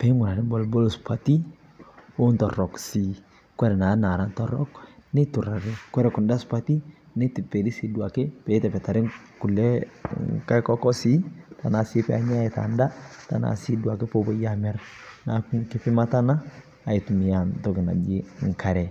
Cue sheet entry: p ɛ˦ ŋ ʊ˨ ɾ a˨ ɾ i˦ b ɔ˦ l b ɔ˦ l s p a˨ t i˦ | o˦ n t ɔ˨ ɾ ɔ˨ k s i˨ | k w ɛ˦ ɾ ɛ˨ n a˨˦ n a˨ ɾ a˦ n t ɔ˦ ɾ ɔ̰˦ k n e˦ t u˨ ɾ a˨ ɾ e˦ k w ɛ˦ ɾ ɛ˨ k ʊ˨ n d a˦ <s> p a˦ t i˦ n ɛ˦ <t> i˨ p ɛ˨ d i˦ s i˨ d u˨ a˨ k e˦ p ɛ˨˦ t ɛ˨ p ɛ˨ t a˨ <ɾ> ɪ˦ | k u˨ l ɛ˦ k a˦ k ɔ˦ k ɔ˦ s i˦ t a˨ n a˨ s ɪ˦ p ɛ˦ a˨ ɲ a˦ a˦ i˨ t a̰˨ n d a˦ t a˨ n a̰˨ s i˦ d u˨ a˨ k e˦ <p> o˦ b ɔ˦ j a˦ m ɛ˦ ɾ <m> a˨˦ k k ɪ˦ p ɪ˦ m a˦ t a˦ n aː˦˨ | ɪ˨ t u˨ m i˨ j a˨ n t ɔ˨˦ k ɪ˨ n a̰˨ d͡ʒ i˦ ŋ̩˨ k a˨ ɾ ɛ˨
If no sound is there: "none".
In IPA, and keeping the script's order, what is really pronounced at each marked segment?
s, t, ɾ, p, n

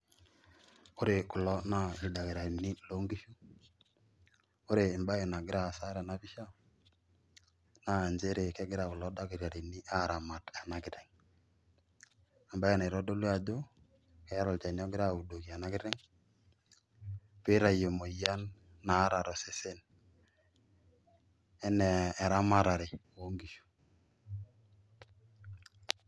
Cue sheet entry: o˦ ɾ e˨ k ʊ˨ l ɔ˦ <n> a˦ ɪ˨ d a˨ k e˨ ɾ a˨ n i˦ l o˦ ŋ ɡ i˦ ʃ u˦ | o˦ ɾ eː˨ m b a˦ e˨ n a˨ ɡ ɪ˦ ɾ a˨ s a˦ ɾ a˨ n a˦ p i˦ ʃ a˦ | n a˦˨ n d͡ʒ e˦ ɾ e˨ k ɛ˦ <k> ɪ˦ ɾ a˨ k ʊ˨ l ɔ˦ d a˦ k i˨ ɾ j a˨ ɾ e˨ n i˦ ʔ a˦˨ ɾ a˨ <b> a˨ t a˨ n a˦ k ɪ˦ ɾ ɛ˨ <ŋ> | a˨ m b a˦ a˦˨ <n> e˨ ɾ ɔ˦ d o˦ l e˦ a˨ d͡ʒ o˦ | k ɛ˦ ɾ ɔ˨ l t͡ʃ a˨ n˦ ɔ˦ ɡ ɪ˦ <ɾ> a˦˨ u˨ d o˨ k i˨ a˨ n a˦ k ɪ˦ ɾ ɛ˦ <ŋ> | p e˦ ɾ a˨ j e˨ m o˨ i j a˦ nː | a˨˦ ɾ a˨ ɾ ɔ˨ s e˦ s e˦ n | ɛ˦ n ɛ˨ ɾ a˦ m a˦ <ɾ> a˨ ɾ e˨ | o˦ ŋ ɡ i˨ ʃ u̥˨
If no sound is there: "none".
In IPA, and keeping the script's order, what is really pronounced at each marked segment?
n, ɡ, m, ŋ, n, ɾ, ŋ, ɾ

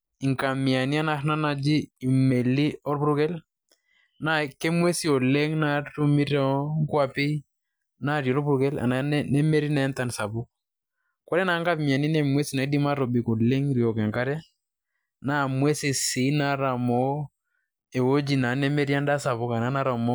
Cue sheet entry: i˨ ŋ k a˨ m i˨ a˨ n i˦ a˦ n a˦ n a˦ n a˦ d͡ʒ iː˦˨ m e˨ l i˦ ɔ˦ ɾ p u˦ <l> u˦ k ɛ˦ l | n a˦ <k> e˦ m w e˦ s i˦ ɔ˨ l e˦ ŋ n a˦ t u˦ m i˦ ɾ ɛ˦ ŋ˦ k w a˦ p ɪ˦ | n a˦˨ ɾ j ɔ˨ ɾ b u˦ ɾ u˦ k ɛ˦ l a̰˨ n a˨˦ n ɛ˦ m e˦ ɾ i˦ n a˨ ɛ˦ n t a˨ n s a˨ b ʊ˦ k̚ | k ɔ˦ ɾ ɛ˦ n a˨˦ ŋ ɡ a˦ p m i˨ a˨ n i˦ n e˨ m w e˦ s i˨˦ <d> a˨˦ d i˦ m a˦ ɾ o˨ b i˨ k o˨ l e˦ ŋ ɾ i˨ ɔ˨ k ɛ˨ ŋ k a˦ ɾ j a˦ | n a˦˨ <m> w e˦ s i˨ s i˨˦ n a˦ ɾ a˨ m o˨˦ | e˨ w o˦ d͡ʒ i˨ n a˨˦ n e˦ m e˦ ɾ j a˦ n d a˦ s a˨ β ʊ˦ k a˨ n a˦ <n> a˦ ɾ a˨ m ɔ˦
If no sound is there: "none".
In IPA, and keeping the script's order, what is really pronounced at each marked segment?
ɾ, k, n, m, n

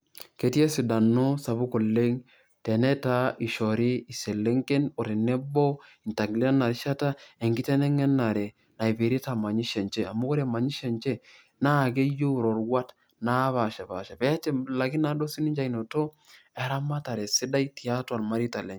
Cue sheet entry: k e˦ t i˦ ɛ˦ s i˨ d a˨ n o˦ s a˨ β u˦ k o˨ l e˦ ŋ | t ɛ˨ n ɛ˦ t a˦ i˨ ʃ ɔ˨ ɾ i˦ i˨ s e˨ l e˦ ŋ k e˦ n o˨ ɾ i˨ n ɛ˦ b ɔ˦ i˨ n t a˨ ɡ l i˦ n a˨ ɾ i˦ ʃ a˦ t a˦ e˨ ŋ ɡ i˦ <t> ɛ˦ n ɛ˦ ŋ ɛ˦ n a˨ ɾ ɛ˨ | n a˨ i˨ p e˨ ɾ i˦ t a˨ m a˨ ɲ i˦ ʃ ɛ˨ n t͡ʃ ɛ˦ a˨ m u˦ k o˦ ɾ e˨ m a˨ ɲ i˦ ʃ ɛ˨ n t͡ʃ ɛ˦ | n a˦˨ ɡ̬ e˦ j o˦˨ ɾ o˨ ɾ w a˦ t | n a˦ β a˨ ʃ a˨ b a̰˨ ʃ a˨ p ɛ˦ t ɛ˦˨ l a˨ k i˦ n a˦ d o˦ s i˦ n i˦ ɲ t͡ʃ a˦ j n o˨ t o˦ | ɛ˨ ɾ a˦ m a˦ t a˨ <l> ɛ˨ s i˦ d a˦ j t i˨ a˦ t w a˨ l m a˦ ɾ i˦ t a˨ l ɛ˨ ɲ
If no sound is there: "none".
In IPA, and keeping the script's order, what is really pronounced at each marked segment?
t, ɾ

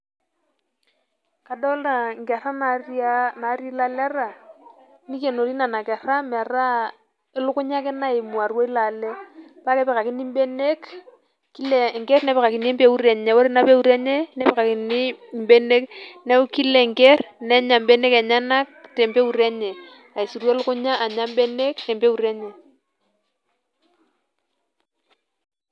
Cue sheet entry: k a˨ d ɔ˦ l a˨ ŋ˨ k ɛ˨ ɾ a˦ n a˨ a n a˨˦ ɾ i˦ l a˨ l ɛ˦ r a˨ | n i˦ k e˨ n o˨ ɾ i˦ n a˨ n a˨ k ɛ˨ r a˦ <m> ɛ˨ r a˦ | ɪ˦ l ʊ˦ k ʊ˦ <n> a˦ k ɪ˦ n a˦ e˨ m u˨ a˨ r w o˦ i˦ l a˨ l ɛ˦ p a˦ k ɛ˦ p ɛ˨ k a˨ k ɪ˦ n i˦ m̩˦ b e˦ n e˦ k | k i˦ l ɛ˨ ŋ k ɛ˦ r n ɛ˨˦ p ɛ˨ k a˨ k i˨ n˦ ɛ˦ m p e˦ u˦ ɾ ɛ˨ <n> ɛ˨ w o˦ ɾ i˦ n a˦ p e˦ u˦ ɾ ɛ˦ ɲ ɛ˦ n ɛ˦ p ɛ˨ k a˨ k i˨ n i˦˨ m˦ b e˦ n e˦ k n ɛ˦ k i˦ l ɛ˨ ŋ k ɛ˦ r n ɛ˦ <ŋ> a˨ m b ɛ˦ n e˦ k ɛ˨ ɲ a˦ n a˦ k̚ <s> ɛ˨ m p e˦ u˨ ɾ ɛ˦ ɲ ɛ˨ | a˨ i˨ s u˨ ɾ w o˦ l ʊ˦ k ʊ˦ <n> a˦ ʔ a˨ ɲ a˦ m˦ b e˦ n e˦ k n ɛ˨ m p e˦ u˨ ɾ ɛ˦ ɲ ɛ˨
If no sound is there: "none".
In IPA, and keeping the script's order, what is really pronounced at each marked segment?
m, ɲ, ɲ, ɲ, t, ɲ

